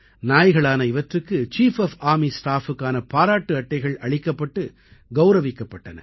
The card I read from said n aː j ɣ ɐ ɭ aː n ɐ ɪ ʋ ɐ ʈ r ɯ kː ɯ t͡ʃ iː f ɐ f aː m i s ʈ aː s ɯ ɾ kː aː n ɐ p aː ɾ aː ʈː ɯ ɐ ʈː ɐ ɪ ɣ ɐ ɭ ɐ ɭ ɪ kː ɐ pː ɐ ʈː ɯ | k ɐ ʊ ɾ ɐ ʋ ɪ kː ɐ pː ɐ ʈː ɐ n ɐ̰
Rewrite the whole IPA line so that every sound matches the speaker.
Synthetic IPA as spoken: n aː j ɣ ɐ ɭ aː n ɐ ɪ ʋ ɐ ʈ r ɯ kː ɯ t͡ʃ iː f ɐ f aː m i s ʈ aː f ɯ kː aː n ɐ p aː ɾ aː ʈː ɯ ɐ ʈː ɐ ɪ ɣ ɐ ɭ ɐ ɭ ɪ kː ɐ pː ɐ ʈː ɯ | ɡ ɐ ʊ ɾ ɐ ʋ ɪ kː ɐ pː ɐ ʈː ɐ n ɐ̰